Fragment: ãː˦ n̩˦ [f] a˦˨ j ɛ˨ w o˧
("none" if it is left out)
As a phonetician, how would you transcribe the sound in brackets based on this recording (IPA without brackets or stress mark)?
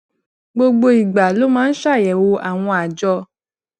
ʃ